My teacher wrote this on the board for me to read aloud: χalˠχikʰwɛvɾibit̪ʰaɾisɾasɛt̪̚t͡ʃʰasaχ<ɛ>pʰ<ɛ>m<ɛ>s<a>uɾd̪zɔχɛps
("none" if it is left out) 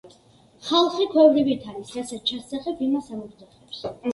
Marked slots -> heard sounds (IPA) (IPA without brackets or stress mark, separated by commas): ɛ, i, a, a